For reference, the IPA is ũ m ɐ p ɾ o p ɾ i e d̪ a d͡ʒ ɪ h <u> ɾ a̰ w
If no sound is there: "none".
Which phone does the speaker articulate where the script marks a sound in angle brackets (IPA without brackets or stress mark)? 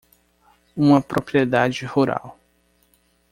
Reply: u